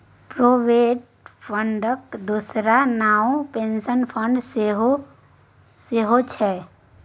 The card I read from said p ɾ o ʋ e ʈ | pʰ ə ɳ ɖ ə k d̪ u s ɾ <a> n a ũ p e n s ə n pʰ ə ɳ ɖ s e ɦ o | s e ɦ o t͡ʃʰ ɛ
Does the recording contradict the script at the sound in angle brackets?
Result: no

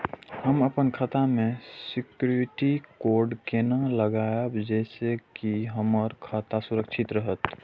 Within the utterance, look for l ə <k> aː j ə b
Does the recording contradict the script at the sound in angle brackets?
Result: yes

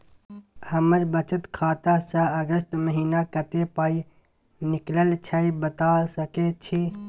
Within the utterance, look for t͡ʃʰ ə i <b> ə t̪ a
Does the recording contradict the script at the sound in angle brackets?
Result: no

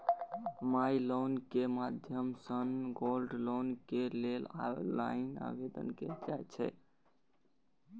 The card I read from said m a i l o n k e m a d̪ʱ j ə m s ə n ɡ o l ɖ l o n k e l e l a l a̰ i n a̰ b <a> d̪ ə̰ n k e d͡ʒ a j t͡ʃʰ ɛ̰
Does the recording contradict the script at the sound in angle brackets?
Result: yes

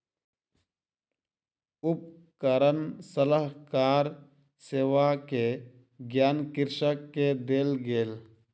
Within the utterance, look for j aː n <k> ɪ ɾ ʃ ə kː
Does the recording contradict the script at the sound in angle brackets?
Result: no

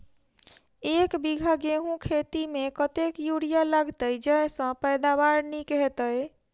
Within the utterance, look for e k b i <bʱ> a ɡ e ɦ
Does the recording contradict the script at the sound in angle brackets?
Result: yes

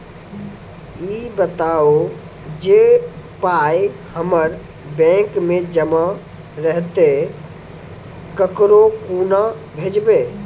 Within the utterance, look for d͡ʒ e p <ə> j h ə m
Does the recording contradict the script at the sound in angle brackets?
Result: yes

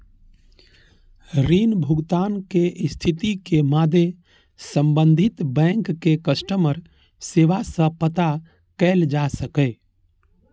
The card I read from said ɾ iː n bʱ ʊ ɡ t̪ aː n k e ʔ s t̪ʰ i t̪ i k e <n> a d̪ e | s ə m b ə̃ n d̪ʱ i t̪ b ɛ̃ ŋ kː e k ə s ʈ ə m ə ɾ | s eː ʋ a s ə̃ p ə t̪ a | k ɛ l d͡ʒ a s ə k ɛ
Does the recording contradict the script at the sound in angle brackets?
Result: yes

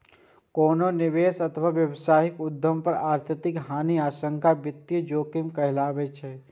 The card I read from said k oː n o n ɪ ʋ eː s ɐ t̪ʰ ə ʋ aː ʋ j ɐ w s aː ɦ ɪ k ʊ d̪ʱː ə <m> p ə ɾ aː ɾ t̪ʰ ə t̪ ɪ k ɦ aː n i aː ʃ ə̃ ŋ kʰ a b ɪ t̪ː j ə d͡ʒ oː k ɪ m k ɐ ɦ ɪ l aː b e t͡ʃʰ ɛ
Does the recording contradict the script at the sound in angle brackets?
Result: no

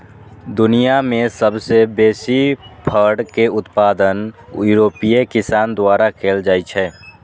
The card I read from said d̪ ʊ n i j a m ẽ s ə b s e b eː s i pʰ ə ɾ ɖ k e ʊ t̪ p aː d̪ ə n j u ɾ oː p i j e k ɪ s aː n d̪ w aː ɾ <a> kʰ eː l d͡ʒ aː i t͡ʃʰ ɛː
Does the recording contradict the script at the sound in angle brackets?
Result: no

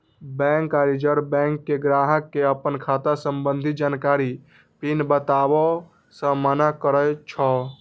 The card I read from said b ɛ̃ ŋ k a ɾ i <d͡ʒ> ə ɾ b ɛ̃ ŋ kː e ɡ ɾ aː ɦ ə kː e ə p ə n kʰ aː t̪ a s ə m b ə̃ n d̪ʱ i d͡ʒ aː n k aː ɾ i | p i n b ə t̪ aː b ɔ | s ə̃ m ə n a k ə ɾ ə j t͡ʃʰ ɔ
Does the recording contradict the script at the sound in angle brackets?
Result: no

